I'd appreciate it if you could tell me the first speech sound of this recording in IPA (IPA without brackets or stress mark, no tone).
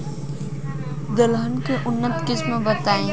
d̪